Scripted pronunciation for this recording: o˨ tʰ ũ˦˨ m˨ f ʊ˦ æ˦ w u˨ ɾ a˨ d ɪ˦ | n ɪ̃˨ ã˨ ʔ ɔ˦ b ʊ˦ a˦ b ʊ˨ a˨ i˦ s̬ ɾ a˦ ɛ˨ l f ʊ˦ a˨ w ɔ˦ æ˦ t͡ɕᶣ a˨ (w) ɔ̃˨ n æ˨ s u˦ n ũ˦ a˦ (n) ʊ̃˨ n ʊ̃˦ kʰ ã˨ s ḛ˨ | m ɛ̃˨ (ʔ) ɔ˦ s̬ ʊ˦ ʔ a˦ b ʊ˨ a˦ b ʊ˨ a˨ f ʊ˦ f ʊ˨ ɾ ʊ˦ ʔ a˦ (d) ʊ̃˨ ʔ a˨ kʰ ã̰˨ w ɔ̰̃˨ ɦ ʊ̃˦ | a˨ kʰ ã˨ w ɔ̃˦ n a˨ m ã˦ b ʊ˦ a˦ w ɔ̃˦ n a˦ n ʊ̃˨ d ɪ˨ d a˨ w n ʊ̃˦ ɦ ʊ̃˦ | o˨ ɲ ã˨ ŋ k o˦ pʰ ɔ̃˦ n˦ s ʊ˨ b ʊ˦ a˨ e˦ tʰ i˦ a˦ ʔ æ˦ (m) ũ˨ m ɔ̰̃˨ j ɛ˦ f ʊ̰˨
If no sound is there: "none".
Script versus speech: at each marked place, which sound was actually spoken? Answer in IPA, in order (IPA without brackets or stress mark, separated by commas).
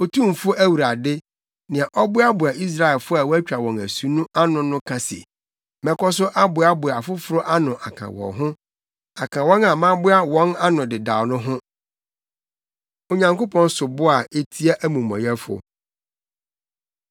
w, n, k, n, m